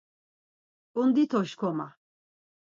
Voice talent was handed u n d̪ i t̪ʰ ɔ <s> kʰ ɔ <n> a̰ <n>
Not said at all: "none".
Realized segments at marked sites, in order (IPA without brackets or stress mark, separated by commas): ʃ, m, none